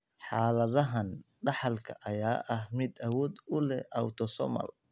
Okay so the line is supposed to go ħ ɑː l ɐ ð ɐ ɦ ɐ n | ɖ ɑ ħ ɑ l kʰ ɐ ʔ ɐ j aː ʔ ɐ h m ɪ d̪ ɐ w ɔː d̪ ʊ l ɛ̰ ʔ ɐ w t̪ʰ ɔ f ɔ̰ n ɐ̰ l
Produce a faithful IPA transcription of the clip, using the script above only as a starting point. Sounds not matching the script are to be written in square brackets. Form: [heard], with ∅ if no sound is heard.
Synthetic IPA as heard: ħ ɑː l ɐ ð ɐ ɦ ɐ n | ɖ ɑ ħ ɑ l kʰ ɐ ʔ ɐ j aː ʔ ɐ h m ɪ d̪ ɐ w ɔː d̪ ʊ l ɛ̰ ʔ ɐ w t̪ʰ ɔ [s] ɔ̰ [m] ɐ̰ l

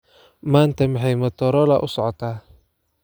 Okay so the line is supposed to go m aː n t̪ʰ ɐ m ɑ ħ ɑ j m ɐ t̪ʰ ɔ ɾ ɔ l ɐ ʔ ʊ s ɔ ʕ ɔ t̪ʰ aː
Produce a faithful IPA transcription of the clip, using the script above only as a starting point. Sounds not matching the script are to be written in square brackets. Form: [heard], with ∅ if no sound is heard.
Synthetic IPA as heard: m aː n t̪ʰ ɐ m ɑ ħ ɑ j m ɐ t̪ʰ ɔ ɾ ɔ l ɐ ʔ ʊ s ɔ ʕ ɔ t̪ʰ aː

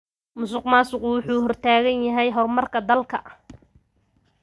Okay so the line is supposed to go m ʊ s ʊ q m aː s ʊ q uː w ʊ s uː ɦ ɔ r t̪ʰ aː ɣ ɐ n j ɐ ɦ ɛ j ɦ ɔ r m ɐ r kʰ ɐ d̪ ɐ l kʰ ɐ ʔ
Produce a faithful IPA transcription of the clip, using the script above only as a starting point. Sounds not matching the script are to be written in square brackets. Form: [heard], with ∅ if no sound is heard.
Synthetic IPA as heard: m ʊ s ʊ q m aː s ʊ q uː w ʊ [ħ] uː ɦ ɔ r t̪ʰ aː ɣ ɐ n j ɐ ɦ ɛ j ɦ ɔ r m ɐ r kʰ ɐ d̪ ɐ l kʰ ɐ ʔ

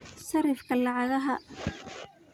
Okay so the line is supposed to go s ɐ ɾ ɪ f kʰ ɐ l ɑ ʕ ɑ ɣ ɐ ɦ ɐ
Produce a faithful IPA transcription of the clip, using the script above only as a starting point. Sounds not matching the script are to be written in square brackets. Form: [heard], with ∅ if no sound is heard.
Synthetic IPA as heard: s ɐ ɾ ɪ f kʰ ɐ l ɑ ʕ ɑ [ð] ɐ ɦ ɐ

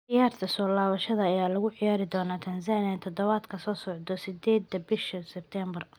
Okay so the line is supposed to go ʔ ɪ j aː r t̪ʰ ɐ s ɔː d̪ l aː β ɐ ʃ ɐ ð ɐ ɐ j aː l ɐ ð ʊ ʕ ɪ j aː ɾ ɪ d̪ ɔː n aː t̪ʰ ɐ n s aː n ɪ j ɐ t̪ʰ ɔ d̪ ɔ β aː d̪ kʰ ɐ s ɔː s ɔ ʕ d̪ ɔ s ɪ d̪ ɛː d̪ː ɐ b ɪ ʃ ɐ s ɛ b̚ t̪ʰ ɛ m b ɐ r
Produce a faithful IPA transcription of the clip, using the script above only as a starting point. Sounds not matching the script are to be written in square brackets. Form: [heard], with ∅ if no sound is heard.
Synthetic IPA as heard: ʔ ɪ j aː r t̪ʰ ɐ s ɔː [∅] l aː β ɐ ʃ ɐ ð ɐ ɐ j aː l ɐ [ɣ] ʊ ʕ ɪ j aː ɾ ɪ d̪ ɔː n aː t̪ʰ ɐ n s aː n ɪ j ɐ t̪ʰ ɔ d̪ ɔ β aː d̪ kʰ ɐ s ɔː s ɔ ʕ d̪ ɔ s ɪ d̪ ɛː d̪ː ɐ b ɪ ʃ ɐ s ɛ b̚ t̪ʰ ɛ m b ɐ r

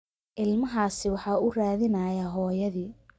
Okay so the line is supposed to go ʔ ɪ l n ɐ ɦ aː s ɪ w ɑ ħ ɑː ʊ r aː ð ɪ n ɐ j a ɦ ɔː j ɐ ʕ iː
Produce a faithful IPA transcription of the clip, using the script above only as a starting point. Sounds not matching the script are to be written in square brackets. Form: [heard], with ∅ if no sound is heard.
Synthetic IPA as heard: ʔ ɪ l [m] ɐ ɦ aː s ɪ w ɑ ħ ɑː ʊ r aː ð ɪ n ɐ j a ɦ ɔː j ɐ [ð] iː

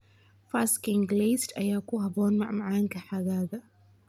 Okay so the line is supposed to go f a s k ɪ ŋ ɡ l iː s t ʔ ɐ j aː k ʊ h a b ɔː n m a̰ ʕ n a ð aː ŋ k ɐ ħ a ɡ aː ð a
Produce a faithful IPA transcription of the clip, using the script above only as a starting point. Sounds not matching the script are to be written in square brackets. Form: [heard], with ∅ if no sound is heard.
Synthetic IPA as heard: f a s k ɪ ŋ ɡ l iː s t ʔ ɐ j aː k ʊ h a b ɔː n m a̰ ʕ [m] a [ʕ] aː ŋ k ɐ ħ a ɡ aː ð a

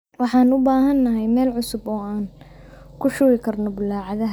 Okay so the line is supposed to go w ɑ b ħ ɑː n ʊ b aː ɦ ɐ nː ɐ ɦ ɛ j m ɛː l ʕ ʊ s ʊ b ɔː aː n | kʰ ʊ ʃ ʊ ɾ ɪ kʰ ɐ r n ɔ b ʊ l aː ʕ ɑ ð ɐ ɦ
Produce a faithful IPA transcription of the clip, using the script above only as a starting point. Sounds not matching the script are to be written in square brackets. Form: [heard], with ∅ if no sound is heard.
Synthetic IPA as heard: w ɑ [∅] ħ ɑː n ʊ b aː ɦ ɐ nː ɐ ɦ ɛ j m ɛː l ʕ ʊ s ʊ b ɔː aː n | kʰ ʊ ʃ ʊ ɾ ɪ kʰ ɐ r n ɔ b ʊ l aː ʕ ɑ ð ɐ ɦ

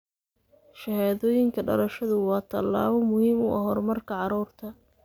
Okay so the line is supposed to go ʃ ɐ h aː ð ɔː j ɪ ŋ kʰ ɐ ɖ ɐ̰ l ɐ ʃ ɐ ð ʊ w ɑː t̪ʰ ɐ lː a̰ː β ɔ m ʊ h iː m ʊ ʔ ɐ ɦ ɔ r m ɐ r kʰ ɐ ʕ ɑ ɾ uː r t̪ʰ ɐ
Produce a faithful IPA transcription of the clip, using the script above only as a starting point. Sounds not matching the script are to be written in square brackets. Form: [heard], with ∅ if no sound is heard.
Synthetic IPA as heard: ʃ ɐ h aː ð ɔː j ɪ ŋ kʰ ɐ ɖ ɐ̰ l ɐ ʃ ɐ ð ʊ w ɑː t̪ʰ ɐ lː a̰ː β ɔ m ʊ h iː m ʊ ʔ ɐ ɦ ɔ r m ɐ r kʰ ɐ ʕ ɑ ɾ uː r t̪ʰ ɐ

